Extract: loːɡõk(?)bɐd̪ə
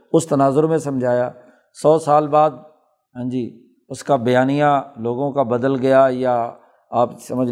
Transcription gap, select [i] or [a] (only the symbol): a